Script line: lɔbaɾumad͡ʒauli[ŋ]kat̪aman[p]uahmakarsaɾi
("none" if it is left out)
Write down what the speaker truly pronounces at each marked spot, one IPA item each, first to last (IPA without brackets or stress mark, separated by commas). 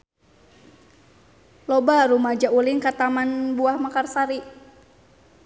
ŋ, b